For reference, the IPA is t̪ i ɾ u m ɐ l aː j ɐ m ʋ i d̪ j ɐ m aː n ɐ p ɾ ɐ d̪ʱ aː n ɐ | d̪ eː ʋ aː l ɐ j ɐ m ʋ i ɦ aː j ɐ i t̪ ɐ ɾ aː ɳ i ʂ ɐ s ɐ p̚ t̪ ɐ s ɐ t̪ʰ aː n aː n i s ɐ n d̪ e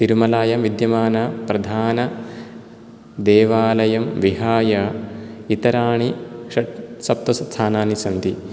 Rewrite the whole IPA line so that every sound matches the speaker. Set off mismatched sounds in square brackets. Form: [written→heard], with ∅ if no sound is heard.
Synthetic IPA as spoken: t̪ i ɾ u m ɐ l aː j ɐ m ʋ i d̪ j ɐ m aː n ɐ p ɾ ɐ d̪ʱ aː n ɐ | d̪ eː ʋ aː l ɐ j ɐ m ʋ i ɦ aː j ɐ i t̪ ɐ ɾ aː ɳ i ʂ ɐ s ɐ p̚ t̪ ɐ s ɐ t̪ʰ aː n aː n i s ɐ n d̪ [e→i]